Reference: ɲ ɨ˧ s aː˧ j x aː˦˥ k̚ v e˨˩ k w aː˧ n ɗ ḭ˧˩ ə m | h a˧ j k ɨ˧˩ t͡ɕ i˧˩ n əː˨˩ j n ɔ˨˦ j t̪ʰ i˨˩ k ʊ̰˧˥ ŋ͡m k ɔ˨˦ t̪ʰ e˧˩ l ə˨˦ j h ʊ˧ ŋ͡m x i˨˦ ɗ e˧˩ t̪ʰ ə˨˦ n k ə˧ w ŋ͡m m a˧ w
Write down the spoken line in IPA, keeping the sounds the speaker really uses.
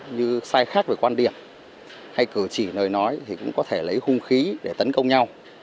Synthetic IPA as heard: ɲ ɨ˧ s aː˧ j x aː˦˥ k̚ v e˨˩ k w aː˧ n ɗ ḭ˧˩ ə m | h a˧ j k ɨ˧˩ t͡ɕ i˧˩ n əː˨˩ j n ɔ˨˦ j t̪ʰ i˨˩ k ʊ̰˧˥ ŋ͡m k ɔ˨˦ t̪ʰ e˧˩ l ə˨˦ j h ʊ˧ ŋ͡m x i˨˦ ɗ e˧˩ t̪ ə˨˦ n k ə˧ w ŋ͡m ɲ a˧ w